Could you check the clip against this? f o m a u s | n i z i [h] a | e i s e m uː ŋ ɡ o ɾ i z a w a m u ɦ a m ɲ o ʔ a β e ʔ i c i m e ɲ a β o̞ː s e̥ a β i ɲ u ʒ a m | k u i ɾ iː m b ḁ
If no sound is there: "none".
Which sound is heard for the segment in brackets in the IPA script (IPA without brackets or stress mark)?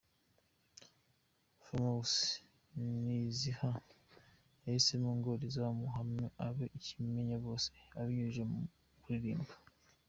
h